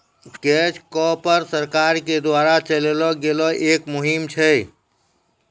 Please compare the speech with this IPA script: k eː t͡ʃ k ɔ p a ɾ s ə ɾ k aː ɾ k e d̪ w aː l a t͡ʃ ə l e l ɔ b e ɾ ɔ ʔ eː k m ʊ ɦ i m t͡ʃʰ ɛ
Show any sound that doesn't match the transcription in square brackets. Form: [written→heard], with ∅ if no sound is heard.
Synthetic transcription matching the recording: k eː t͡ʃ k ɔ p [a→ə] ɾ s ə ɾ k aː ɾ k e d̪ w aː [l→ɾ] a t͡ʃ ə l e l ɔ [b→ɡ] e [ɾ→l] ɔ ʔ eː k m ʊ ɦ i m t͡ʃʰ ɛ